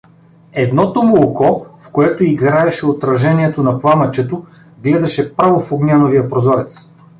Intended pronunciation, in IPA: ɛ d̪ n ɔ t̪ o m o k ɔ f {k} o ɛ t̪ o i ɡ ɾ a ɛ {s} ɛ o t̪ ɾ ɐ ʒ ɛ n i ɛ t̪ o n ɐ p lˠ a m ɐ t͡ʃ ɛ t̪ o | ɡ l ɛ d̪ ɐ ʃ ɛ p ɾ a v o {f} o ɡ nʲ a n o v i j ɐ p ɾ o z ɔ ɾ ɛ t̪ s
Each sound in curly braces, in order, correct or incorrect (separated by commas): correct, incorrect, correct